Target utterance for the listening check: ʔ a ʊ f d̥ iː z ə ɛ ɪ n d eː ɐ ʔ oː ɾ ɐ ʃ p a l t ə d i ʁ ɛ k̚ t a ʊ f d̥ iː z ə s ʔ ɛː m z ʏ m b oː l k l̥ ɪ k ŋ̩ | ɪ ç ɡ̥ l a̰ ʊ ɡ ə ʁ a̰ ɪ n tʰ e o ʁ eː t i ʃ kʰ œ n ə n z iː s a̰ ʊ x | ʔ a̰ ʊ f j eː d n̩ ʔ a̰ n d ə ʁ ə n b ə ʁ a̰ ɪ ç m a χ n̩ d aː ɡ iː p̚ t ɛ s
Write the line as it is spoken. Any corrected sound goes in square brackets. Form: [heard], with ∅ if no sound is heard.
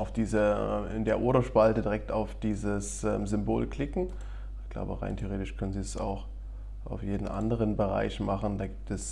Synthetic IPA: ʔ a ʊ f d̥ iː z ə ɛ ɪ n d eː ɐ ʔ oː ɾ ɐ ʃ p a l t ə d i ʁ ɛ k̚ t a ʊ f d̥ iː z ə s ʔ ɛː m z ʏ m b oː l k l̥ ɪ k ŋ̩ | ɪ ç ɡ̥ l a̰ ʊ [b] ə ʁ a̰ ɪ n tʰ e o ʁ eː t [ɪ] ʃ kʰ œ n ə n z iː s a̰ ʊ x | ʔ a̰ ʊ f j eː d n̩ ʔ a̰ n d ə ʁ ə n b ə ʁ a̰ ɪ ç m a χ n̩ d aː ɡ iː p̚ t ɛ s